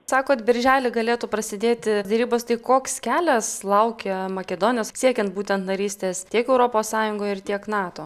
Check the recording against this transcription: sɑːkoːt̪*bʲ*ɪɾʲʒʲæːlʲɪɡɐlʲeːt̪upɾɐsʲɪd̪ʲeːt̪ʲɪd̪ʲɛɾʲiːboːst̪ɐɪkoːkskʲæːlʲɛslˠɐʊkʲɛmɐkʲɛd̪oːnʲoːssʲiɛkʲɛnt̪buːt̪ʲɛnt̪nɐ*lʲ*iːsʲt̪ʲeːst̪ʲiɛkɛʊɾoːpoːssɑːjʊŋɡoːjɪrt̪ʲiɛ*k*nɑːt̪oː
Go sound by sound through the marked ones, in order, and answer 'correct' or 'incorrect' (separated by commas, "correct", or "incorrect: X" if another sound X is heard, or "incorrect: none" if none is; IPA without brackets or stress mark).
correct, incorrect: ɾʲ, correct